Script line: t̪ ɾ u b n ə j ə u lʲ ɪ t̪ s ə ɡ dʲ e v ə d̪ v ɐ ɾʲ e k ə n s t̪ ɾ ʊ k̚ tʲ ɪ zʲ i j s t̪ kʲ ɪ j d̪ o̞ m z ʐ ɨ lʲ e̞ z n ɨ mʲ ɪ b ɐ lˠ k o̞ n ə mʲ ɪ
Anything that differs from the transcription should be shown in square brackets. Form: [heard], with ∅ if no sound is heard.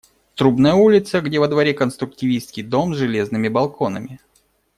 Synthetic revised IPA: t̪ ɾ u b n ə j ə u lʲ ɪ t̪ s ə ɡ dʲ e v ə d̪ v ɐ ɾʲ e k ə n s t̪ ɾ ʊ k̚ tʲ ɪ [vʲ] i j s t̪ kʲ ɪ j d̪ o̞ m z ʐ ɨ lʲ e̞ z n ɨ mʲ ɪ b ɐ lˠ k o̞ n ə mʲ ɪ